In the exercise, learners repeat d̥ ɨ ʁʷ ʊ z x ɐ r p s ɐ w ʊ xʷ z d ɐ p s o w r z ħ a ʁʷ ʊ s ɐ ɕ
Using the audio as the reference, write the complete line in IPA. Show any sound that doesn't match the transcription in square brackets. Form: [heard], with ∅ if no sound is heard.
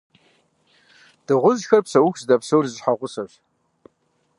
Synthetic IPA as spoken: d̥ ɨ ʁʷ ʊ z x ɐ r p s ɐ w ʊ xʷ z d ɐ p s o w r z ħ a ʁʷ ʊ s ɐ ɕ